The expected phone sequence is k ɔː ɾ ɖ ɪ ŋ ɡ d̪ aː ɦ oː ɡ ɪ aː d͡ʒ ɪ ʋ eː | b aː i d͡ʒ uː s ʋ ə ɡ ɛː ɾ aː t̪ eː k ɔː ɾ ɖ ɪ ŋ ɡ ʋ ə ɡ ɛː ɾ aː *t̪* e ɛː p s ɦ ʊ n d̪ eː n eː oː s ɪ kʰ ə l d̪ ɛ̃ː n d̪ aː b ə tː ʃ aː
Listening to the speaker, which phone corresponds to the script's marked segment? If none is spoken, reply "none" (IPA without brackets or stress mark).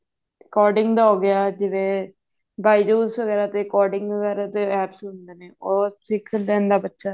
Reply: t̪